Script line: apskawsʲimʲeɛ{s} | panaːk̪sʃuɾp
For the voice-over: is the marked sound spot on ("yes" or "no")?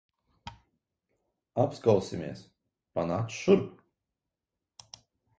yes